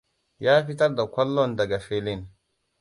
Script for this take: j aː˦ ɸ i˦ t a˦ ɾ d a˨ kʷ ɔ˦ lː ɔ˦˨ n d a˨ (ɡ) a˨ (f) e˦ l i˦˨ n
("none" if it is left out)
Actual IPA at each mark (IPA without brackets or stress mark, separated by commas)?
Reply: ɡ, f